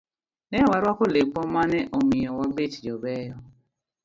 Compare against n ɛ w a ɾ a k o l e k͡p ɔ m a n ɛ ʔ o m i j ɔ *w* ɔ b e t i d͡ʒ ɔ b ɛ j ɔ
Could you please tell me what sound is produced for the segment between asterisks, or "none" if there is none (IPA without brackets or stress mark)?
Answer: w